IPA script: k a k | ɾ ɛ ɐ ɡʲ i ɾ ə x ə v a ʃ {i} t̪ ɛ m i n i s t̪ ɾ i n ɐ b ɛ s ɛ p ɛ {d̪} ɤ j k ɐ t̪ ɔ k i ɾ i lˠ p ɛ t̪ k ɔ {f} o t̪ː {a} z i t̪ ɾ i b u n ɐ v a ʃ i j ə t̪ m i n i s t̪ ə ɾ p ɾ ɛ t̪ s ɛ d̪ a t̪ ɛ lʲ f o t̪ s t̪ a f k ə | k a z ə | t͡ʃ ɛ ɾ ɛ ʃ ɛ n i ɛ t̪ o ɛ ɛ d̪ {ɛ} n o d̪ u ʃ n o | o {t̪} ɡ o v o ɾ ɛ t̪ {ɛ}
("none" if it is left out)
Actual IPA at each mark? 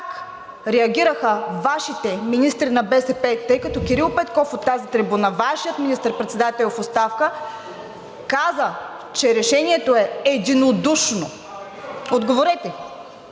i, t̪, f, a, i, d̪, ɛ

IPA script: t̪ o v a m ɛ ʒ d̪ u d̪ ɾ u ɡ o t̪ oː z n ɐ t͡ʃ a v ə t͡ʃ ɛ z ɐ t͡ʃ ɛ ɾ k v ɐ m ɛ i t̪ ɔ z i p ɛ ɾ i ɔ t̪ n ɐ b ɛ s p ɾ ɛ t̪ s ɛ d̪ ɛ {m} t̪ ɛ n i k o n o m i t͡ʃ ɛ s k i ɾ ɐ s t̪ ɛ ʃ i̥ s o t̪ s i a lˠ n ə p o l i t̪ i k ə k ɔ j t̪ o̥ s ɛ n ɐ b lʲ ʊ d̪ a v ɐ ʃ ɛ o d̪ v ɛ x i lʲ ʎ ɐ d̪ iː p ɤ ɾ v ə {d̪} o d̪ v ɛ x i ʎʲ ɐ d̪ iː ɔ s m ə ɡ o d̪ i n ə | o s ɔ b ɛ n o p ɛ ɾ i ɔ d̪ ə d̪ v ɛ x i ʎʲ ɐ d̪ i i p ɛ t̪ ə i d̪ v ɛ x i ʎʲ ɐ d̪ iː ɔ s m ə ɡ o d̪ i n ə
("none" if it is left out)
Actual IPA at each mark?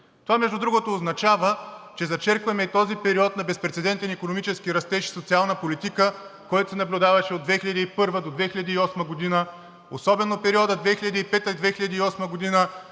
n, d̪

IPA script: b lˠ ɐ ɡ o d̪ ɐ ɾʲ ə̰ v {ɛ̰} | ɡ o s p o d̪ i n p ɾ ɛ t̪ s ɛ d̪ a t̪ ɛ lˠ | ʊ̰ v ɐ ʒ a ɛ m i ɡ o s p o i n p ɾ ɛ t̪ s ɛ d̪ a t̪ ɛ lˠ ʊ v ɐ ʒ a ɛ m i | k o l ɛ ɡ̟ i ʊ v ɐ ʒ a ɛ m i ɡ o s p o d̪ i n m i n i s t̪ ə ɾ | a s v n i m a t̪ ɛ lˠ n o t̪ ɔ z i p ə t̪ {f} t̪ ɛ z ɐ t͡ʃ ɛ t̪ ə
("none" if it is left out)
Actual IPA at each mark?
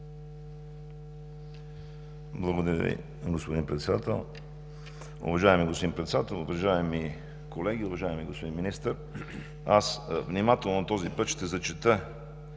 ḭ, ʃ

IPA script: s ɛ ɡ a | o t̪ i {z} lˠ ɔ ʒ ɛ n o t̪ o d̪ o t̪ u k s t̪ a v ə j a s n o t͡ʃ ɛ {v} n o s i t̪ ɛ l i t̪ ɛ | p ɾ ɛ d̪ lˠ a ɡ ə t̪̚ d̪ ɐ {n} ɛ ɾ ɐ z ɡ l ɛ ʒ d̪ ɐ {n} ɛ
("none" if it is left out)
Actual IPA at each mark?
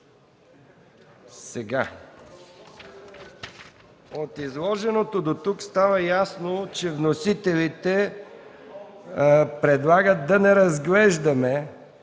z, v, n, m

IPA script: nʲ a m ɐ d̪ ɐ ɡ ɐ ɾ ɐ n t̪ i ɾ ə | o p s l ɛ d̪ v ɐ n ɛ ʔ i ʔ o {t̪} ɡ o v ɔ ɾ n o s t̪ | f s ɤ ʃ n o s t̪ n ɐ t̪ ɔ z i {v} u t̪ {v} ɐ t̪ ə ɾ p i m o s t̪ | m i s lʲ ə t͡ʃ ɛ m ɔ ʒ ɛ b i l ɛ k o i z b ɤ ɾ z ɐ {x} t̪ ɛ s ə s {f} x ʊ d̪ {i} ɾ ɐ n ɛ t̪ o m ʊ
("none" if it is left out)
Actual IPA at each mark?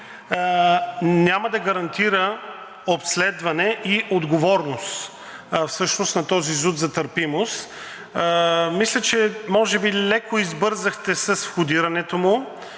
d̪, z, z, x, f, i

